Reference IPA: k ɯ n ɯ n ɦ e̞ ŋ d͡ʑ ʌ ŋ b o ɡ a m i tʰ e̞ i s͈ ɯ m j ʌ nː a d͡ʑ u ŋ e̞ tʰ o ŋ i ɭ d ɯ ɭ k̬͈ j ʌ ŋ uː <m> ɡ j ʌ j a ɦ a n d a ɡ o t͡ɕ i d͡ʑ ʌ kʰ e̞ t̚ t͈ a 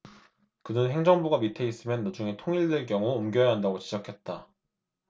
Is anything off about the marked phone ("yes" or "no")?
no